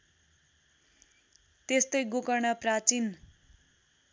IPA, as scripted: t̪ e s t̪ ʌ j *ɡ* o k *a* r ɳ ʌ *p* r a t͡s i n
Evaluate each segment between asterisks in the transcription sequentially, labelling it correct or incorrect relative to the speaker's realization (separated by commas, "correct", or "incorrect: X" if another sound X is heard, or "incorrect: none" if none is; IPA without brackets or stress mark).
correct, incorrect: ʌ, correct